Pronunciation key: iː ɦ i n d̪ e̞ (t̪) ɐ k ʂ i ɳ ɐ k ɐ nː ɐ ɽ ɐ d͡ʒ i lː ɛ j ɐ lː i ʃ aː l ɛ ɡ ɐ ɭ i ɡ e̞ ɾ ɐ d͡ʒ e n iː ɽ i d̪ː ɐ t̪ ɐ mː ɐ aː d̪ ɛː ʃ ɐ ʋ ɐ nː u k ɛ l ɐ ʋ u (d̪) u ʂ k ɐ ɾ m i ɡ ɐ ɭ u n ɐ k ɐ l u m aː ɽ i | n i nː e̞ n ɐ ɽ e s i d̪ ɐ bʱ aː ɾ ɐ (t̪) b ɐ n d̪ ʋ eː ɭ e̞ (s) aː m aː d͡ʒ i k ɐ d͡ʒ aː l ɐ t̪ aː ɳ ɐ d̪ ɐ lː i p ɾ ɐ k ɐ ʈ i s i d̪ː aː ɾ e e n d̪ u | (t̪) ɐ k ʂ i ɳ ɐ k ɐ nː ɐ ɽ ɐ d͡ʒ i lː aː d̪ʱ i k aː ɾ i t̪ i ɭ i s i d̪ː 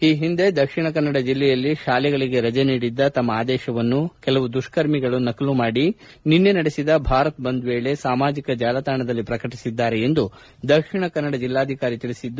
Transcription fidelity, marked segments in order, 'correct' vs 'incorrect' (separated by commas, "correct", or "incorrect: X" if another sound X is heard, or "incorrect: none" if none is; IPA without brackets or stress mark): incorrect: d̪, correct, correct, correct, incorrect: d̪